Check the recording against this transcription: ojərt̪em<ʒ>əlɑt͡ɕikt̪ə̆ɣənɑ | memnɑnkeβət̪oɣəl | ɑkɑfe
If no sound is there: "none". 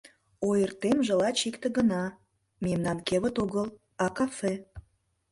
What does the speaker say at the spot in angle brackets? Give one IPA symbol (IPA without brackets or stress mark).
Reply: ʒ